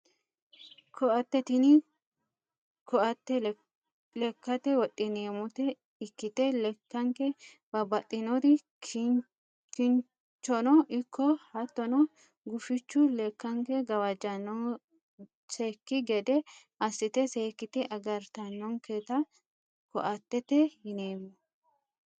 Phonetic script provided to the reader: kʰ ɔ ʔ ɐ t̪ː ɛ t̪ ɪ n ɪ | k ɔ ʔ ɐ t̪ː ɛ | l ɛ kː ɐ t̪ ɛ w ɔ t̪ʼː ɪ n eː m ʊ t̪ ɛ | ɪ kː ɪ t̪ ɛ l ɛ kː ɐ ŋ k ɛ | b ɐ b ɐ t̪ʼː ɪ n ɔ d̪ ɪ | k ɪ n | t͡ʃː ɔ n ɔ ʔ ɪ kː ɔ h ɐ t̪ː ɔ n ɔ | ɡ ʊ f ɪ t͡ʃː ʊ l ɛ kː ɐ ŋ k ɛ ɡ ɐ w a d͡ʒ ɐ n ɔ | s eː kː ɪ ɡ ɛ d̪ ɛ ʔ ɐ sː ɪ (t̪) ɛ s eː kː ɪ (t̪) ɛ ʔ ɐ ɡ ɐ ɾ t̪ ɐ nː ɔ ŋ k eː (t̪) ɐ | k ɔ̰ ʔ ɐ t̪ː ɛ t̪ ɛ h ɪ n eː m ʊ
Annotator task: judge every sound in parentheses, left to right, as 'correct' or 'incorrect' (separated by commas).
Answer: correct, correct, correct